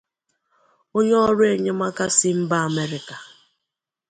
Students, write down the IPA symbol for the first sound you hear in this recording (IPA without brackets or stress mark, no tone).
o